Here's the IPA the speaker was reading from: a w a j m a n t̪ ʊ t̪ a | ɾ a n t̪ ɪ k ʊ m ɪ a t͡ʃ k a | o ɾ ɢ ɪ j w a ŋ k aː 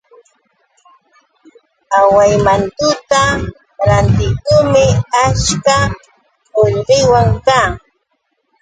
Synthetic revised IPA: a w a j m a n t̪ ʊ t̪ a | ɾ a n t̪ ɪ k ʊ m ɪ a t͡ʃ k a | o ʎ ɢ ɪ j w a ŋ k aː